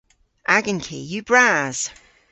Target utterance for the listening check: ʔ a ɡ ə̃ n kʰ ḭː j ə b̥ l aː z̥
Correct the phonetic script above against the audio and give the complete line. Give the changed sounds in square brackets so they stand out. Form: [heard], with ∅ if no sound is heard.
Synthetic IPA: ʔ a ɡ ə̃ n kʰ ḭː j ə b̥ [ɹ] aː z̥